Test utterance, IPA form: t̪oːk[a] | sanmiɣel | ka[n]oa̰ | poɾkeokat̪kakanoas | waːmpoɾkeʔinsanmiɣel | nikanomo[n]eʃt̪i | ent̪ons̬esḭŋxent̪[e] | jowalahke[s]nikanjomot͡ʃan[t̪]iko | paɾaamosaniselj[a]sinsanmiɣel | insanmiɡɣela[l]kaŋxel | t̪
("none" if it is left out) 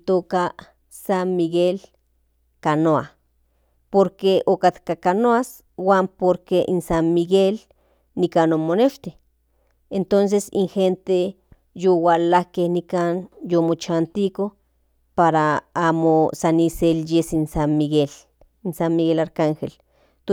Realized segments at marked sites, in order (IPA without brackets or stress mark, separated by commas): a, n, n, e, h, t̪, e, ɾ